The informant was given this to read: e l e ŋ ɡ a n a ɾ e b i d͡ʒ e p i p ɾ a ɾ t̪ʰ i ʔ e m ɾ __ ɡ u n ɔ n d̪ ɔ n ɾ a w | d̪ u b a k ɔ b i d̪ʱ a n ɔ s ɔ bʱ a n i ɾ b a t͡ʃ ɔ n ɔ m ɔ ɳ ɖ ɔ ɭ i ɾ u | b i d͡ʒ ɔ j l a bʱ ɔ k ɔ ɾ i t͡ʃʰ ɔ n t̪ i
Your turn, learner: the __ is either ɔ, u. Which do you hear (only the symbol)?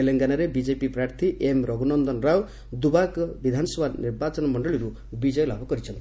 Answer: ɔ